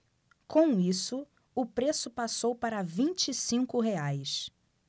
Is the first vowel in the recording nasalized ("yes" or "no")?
yes